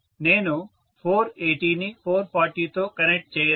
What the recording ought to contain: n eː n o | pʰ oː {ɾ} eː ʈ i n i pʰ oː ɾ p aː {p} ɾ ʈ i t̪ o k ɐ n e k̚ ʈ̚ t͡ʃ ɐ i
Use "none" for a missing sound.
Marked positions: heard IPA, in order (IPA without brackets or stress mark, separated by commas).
ɾ, none